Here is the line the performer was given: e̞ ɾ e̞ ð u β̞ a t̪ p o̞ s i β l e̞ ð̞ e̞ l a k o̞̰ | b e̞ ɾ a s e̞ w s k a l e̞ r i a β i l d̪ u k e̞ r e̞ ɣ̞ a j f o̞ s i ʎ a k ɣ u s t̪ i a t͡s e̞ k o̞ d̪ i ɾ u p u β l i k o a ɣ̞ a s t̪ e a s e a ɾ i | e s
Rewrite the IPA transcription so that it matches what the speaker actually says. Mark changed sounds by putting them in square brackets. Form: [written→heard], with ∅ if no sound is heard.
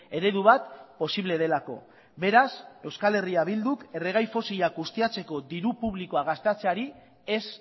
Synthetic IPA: e̞ ɾ e̞ ð u β̞ a t̪ p o̞ s i β l e̞ ð̞ e̞ l a k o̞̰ | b e̞ ɾ a s e̞ w s k a l e̞ r i a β i l d̪ u k e̞ r e̞ ɣ̞ a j f o̞ s i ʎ a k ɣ u s t̪ i a t͡s e̞ k o̞ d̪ i ɾ u p u β l i k o a ɣ̞ a s t̪ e a [s→t͡s] e a ɾ i | e s